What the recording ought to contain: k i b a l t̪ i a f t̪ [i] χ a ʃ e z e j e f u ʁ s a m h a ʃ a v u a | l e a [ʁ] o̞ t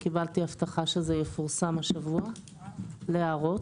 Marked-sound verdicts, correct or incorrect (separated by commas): incorrect, correct